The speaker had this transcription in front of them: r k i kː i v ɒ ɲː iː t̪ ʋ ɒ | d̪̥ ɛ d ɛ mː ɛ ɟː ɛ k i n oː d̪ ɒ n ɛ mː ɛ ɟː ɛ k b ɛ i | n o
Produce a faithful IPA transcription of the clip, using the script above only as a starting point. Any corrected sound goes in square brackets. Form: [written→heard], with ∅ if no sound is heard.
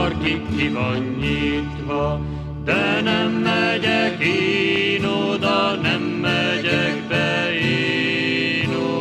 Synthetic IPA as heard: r k i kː i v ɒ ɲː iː t̪ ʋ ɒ | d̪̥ ɛ [d→n] ɛ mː ɛ [ɟː→ɟ] ɛ k i n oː d̪ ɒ n ɛ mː ɛ [ɟː→ɟ] ɛ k b ɛ i | n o